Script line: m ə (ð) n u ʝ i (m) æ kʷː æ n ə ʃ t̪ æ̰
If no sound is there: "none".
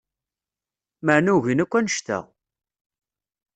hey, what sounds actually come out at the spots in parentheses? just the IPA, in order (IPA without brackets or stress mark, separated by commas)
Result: ʕ, n